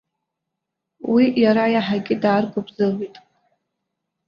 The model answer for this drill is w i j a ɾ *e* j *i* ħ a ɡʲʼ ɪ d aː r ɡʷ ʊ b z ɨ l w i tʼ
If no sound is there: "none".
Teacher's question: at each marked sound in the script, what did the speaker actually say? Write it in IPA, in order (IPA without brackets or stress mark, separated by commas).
a, a